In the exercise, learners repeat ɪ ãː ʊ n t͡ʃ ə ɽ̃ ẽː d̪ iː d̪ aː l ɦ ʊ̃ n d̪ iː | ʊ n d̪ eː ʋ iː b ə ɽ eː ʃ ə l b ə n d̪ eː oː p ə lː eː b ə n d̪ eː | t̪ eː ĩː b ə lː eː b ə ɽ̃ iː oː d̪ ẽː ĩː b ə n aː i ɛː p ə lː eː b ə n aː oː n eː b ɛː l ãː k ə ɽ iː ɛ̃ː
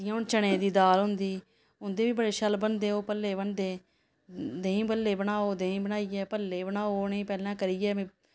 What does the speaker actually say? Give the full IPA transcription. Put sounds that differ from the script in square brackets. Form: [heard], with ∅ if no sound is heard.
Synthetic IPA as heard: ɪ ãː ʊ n t͡ʃ ə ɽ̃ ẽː d̪ iː d̪ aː l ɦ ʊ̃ n d̪ iː | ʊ n d̪ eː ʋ iː b ə ɽ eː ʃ ə l b ə n d̪ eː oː p ə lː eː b ə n d̪ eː | [d̪] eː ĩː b ə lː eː b ə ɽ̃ [aː] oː d̪ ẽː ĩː b ə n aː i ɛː p ə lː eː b ə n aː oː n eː [p] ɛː l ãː k ə [ɾ] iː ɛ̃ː